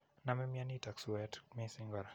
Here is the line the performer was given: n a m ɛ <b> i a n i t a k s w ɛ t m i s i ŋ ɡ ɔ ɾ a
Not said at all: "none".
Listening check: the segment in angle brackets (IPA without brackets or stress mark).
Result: m